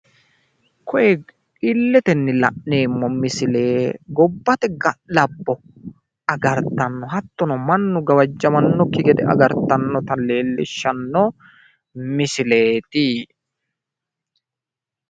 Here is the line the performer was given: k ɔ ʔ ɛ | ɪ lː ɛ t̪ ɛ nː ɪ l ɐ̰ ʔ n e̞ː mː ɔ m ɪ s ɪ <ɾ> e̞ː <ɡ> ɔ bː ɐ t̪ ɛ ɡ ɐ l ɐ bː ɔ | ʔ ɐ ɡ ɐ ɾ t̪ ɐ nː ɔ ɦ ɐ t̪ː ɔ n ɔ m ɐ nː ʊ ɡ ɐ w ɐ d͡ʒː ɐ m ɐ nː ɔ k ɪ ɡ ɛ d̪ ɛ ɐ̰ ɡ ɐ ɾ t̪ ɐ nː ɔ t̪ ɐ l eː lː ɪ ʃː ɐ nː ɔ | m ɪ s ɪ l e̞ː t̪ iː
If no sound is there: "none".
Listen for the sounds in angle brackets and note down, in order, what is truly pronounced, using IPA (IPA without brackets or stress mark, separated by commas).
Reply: l, ɡ